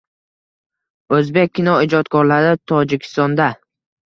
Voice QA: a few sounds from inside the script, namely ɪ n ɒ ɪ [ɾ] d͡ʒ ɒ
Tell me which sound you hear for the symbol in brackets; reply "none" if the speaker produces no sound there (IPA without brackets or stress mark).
none